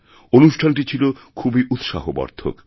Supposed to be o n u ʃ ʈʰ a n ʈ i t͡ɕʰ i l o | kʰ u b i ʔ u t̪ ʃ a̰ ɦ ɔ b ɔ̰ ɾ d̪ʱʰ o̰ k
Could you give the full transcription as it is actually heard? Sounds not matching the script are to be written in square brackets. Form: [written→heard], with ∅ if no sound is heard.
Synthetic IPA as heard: o n u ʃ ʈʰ a n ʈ i t͡ɕʰ i l o | kʰ u b i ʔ u t̪ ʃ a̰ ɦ [ɔ→o] b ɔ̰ ɾ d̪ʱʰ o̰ k